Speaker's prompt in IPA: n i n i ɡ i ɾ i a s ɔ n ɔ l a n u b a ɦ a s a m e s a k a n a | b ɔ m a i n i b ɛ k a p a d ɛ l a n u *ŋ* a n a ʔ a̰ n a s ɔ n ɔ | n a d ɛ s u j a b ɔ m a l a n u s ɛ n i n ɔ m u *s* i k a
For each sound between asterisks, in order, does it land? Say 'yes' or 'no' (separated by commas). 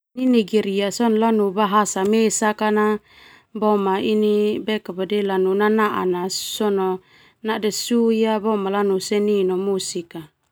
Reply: no, yes